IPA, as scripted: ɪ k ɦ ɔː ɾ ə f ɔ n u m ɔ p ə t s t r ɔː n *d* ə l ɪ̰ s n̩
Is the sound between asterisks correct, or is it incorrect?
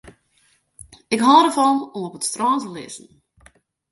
incorrect